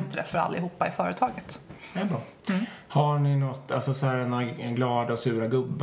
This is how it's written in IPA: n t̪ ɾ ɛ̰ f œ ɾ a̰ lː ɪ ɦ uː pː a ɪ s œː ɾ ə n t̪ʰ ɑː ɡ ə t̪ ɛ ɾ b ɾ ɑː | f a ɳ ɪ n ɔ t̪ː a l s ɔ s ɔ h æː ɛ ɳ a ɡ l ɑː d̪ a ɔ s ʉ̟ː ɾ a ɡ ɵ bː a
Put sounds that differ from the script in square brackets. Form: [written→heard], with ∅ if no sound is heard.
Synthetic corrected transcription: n t̪ ɾ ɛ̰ f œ ɾ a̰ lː ɪ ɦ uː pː a ɪ [s→f] œː ɾ ə [n→∅] t̪ʰ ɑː ɡ ə t̪ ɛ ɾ b ɾ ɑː | [f→h] a ɳ ɪ n ɔ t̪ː a l s ɔ s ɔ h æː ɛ [ɳ→n] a ɡ l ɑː d̪ a ɔ s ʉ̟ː ɾ a ɡ ɵ bː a